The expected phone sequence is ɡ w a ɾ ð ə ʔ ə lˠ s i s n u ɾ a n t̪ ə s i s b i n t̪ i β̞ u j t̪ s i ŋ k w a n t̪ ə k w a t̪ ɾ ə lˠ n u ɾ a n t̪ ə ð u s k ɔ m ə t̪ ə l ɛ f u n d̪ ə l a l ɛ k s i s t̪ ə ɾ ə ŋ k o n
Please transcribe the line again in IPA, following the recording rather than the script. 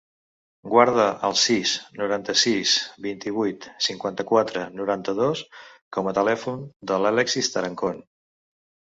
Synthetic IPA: ɡ w a ɾ ð ə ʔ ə lˠ s i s n u ɾ a n t̪ ə s i s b i n t̪ i β̞ u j t̪ s i ŋ k w a n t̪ ə k w a t̪ ɾ ə n u ɾ a n t̪ ə ð o s k ɔ m ə t̪ ə l ɛ f u n d̪ ə l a l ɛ k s i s t̪ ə ɾ ə ŋ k o n